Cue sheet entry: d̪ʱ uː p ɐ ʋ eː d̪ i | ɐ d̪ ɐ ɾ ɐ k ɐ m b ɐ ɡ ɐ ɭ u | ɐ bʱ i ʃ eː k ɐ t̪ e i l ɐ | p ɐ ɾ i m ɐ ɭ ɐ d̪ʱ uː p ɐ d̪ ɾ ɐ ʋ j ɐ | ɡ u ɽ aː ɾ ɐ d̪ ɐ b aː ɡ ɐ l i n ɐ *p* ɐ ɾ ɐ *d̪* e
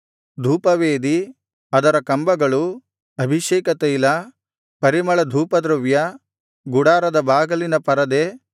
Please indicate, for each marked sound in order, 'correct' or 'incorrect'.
correct, correct

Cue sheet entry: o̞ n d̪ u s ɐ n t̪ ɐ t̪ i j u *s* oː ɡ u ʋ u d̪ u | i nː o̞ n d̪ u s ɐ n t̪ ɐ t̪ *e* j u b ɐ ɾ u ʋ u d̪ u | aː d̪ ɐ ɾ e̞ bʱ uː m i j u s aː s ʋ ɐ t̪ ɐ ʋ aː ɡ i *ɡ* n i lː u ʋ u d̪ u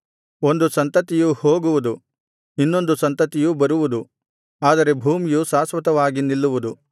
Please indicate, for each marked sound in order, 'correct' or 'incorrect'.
incorrect: h, incorrect: i, incorrect: none

